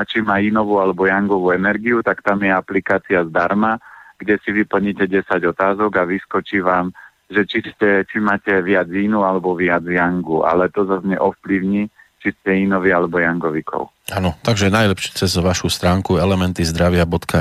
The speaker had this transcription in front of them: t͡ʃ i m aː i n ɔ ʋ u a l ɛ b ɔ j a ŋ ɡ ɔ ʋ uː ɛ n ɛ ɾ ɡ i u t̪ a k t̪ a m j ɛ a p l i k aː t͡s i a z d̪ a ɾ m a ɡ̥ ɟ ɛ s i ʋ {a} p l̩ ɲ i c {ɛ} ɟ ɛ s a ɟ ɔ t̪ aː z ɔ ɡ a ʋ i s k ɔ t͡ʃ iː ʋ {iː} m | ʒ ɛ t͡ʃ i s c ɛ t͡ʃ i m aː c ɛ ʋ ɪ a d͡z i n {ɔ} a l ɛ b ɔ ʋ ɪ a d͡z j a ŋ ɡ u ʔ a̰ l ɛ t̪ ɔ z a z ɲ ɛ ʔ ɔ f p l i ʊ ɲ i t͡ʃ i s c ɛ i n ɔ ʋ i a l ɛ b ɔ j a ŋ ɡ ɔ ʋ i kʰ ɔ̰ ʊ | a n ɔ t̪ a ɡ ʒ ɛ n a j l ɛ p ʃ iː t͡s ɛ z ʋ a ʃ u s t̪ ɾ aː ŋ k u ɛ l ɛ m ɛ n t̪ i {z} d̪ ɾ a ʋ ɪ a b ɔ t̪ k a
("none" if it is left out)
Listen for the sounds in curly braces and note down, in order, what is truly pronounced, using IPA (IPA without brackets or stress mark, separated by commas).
i, ɛ, aː, u, z